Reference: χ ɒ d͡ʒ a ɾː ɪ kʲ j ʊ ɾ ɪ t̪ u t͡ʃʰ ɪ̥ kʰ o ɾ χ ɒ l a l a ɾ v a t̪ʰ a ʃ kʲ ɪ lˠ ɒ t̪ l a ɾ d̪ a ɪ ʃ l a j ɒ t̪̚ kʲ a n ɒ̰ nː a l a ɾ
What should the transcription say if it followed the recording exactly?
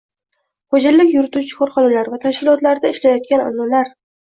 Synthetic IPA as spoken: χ o d͡ʒ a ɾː ɪ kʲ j ʊ ɾ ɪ t̪ u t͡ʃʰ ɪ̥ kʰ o ɾ χ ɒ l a l a ɾ v a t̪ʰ a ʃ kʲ ɪ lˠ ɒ t̪ l a ɾ d̪ a ɪ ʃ l a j ɒ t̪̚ kʲ a n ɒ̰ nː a l a ɾ